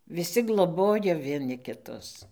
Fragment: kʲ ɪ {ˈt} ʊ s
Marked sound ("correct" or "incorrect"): correct